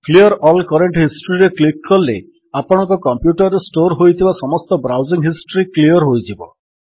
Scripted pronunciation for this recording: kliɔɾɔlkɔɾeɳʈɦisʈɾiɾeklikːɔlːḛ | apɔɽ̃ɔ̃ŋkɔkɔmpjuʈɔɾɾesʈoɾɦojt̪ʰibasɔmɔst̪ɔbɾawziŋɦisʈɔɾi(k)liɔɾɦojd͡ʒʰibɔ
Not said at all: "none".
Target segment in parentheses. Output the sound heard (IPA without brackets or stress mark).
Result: k